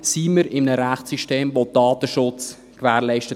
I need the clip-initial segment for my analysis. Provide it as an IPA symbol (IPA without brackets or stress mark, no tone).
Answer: s